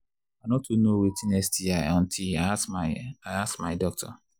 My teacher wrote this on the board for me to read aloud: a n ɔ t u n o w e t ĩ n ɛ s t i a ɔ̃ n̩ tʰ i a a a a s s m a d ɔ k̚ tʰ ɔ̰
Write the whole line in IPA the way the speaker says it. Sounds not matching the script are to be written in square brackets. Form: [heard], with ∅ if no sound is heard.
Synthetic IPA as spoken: a n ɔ t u n o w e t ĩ n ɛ s t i a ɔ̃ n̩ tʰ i a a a a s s m a d ɔ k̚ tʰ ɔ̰

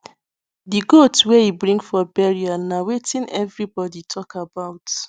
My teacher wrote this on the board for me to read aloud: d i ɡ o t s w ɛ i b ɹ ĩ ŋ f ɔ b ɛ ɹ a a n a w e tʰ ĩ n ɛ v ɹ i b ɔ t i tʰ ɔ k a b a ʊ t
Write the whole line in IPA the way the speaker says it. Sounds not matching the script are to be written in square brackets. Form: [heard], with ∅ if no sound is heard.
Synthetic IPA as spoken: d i ɡ o t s w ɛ i b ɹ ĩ ŋ f ɔ b ɛ ɹ [i] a n a w e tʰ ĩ n ɛ v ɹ i b ɔ [d] i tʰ ɔ k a b a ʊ t

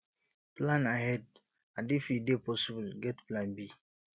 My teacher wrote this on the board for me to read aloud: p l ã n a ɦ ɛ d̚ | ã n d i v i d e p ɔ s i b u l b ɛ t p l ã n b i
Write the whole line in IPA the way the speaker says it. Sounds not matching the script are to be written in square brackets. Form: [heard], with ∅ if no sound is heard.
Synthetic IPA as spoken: p l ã n a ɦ ɛ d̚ | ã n d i [f] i d e p ɔ s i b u l [ɡ] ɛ t p l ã n b i

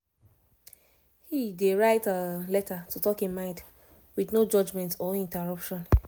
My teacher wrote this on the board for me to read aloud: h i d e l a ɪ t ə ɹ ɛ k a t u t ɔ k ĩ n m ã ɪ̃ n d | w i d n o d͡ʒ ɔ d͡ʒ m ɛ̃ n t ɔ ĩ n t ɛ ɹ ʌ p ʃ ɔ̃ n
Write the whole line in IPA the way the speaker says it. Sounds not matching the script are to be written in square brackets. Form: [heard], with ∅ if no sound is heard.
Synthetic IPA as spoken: h i d e [ɹ] a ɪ t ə [l] ɛ [t] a t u t ɔ k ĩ n m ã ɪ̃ n d | w i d n o d͡ʒ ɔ d͡ʒ m ɛ̃ n t ɔ ĩ n t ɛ ɹ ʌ p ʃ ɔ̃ n

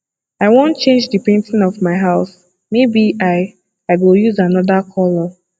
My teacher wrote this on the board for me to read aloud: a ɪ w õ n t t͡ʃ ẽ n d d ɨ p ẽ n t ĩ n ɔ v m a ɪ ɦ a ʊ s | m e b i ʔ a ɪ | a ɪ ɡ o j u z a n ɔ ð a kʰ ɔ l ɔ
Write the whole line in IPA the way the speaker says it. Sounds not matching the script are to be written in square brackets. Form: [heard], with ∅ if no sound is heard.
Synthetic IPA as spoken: a ɪ w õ n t t͡ʃ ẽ n [d͡ʒ] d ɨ p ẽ n t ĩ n ɔ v m a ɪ ɦ a ʊ s | m e b i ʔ a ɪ | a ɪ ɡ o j u z a n ɔ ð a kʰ ɔ l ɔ

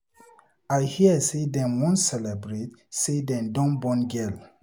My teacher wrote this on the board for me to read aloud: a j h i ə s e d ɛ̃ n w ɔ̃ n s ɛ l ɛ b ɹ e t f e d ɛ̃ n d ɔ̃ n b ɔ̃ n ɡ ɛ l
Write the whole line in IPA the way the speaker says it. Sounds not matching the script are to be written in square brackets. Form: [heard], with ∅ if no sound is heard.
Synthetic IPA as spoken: a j h i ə s e d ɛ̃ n w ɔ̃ n s ɛ l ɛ b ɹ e t [s] e d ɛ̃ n d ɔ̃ n b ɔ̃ n ɡ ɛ l

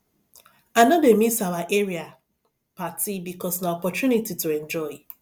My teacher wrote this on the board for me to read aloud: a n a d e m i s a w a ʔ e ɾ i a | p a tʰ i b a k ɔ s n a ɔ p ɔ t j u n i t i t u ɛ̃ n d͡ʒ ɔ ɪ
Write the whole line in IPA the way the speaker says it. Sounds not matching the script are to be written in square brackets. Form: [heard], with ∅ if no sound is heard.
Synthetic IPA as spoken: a n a d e m i s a w a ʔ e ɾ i a | p a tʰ i b [i] k ɔ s n a ɔ p ɔ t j u n i t i t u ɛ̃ n d͡ʒ ɔ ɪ

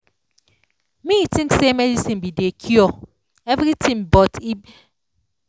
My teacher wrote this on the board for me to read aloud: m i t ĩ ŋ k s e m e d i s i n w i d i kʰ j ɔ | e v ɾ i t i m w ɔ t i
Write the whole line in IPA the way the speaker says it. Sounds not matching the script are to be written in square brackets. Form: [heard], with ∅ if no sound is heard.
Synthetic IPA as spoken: m i t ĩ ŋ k s e m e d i s i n [b] i d [e] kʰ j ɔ | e v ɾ i t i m [b] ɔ t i

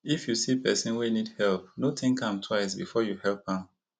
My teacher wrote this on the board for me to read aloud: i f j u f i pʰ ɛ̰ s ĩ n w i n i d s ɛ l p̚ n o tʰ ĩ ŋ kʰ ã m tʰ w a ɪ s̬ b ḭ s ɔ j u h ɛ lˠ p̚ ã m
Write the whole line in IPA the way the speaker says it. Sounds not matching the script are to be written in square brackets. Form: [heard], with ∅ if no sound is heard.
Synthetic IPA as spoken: i f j u [s] i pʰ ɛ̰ s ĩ n w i n i d [h] ɛ l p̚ n o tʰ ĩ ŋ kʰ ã m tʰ w a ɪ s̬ b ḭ [f] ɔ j u h ɛ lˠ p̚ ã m

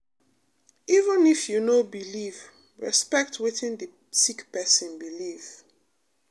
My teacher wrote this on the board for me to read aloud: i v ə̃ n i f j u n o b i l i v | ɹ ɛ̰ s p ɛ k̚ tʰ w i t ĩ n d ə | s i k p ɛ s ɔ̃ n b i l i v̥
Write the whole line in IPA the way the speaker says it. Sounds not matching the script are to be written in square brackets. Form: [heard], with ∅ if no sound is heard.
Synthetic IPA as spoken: i v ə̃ n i f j u n o b i l i v | ɹ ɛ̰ s p ɛ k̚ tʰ w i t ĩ n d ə | s i k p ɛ s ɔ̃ n b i l i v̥

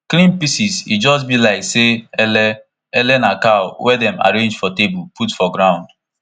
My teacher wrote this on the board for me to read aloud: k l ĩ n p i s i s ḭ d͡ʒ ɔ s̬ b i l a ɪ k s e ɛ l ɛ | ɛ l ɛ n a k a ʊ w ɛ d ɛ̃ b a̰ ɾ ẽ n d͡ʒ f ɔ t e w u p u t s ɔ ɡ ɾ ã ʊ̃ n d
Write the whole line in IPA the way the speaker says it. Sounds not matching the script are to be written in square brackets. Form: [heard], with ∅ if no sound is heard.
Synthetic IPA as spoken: k l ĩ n p i s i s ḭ d͡ʒ ɔ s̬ b i l a ɪ k s e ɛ l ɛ | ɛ l ɛ n a k a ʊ w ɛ d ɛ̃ [m] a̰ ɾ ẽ n d͡ʒ f ɔ t e [b] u p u t [f] ɔ ɡ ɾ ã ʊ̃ n d

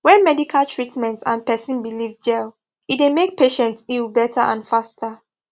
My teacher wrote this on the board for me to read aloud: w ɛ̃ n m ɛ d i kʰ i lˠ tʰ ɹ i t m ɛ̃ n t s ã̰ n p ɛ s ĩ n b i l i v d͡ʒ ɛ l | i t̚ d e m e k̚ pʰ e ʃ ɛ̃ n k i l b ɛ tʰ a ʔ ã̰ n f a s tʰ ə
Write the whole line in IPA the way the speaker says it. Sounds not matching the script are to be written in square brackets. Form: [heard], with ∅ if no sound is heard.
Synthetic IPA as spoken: w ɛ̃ n m ɛ d i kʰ [a] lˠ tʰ ɹ i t m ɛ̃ n t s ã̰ n p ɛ s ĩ n b i l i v d͡ʒ ɛ l | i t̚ d e m e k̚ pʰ e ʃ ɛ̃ n [t] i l b ɛ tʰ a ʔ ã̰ n f a s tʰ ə

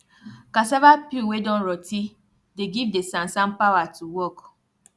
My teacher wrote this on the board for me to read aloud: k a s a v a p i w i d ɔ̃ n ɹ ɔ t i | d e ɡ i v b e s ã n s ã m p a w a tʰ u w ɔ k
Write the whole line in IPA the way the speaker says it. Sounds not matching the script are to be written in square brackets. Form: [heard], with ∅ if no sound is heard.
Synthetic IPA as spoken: k a s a v a p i w [e] d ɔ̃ n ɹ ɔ t i | d e ɡ i v [d] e s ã n s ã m p a w a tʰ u w ɔ k

